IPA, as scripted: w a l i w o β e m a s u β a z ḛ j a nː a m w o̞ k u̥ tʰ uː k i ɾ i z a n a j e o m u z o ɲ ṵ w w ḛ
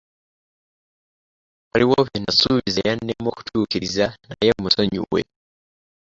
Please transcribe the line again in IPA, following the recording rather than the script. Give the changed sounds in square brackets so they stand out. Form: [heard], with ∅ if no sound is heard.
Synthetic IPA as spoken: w a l i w o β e [n] a s u β [i] z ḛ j a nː [e] m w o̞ k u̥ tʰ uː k i ɾ i z a n a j e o m u [s] o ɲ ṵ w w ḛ